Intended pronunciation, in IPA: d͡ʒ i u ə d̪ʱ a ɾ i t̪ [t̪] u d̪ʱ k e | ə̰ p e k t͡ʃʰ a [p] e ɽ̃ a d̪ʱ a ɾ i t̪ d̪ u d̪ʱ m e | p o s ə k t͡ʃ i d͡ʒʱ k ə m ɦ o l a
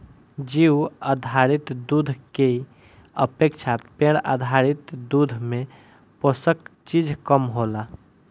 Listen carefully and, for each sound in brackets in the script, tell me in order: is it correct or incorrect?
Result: incorrect: d̪, correct

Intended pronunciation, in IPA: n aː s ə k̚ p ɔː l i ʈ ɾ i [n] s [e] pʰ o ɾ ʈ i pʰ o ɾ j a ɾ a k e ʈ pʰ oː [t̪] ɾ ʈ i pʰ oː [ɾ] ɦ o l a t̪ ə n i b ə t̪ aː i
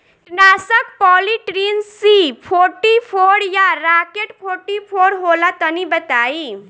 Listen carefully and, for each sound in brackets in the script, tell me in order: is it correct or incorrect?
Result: correct, incorrect: i, incorrect: none, correct

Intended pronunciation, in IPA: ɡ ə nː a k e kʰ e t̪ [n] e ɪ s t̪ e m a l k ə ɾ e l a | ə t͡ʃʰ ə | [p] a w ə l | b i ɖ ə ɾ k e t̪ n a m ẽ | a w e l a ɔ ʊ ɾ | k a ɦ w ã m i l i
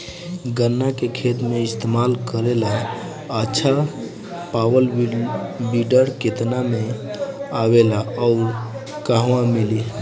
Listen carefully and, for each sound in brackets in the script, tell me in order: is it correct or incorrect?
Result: incorrect: m, correct

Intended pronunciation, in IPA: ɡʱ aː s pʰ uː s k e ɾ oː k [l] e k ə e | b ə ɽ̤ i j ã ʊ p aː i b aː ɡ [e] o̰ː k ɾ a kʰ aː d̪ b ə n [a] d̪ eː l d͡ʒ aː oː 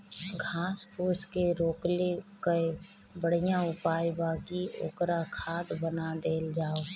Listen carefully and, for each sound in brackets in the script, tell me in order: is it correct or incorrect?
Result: correct, incorrect: i, correct

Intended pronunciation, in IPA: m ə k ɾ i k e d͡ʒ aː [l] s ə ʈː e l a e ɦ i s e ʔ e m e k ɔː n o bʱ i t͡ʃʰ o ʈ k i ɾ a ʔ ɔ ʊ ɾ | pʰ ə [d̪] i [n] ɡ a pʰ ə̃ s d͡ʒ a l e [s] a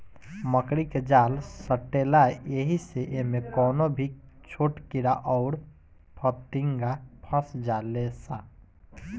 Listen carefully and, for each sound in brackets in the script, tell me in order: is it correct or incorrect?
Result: correct, incorrect: t̪, incorrect: ŋ, correct

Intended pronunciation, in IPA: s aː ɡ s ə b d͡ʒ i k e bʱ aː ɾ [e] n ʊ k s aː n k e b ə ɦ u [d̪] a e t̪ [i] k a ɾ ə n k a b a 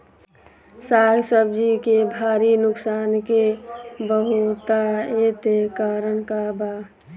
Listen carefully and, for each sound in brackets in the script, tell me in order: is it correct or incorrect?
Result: incorrect: i, incorrect: t̪, incorrect: e

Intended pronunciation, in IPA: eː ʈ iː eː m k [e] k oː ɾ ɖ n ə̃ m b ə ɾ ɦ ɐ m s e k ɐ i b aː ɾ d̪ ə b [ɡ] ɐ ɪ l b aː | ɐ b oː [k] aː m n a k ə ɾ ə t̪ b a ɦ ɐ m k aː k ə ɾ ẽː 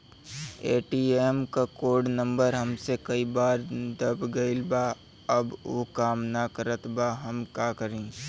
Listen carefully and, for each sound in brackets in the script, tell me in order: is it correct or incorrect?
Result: incorrect: a, correct, correct

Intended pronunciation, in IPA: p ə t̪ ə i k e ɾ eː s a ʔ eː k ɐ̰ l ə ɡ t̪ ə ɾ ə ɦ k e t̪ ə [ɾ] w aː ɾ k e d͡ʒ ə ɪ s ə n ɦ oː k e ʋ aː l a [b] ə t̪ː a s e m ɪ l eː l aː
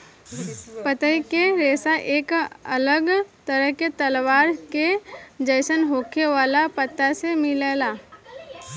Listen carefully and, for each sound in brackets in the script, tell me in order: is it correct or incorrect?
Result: incorrect: l, incorrect: p

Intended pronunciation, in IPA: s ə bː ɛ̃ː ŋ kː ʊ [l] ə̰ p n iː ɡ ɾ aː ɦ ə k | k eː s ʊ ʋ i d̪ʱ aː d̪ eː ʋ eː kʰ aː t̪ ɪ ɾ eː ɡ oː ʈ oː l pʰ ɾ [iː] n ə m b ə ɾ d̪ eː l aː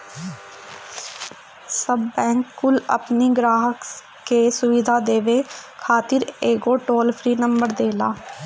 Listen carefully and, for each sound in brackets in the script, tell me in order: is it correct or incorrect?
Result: correct, correct

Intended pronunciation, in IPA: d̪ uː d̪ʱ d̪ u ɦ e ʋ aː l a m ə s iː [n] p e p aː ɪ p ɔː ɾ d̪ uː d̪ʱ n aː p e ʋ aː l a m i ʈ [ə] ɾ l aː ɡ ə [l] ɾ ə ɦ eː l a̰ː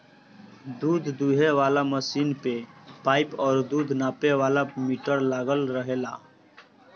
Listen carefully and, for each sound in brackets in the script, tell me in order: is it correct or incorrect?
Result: correct, correct, correct

